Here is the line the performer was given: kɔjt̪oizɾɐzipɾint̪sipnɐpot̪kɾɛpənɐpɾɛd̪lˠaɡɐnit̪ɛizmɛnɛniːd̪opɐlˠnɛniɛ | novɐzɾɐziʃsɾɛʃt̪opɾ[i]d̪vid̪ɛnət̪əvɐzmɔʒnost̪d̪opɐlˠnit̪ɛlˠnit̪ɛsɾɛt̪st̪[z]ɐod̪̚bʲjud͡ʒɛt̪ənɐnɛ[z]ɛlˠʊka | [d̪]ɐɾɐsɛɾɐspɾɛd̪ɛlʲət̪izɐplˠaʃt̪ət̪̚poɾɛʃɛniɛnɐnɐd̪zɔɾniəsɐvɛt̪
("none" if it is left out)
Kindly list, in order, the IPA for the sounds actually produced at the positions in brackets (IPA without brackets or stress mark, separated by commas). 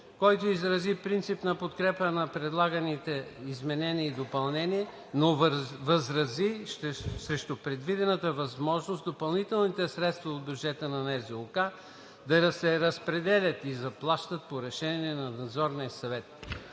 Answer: ɛ, v, z, d̪